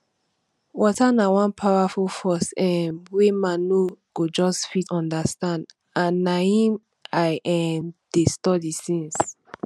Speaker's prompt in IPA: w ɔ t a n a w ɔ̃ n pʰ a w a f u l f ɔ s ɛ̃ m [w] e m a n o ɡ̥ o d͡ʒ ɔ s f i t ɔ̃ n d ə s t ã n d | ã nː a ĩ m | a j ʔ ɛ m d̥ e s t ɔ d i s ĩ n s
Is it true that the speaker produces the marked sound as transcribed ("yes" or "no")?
yes